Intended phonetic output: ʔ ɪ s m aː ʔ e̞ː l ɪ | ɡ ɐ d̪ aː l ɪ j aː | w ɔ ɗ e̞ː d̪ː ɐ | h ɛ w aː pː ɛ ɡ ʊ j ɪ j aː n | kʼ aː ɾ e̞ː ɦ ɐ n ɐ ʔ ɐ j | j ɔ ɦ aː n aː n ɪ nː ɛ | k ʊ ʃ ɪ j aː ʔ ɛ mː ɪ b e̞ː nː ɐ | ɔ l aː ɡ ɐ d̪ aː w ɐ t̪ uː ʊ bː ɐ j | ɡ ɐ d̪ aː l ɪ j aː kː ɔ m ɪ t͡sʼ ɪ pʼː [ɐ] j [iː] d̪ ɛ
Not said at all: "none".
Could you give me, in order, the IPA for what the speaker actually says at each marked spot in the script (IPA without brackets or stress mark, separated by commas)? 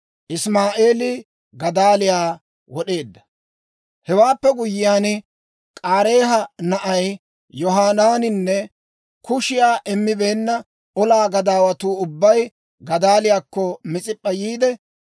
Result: ɐ, iː